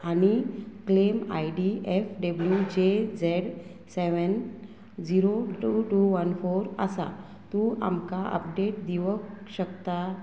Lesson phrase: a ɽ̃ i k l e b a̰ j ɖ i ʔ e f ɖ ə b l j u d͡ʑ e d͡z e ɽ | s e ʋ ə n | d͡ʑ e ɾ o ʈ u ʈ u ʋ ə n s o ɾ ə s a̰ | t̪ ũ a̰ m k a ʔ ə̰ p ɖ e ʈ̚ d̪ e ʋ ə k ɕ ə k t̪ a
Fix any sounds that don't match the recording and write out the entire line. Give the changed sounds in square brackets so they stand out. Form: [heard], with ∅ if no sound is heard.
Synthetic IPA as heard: a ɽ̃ i k l e [m] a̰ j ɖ i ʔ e f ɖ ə b l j u d͡ʑ e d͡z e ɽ | s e ʋ ə n | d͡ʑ [i] ɾ o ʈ u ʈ u ʋ ə n [f] o ɾ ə s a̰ | t̪ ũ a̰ m k a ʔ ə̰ p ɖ e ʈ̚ d̪ [i] ʋ ə k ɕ ə k t̪ a